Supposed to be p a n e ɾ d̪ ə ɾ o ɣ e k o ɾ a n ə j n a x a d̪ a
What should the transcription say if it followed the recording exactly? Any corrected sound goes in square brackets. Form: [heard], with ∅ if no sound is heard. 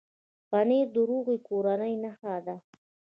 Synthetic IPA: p a n e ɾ d̪ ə ɾ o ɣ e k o ɾ a n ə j n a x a d̪ a